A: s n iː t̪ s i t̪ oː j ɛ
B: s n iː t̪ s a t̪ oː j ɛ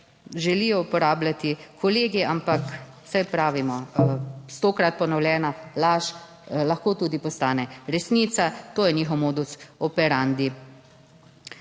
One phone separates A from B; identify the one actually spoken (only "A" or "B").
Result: B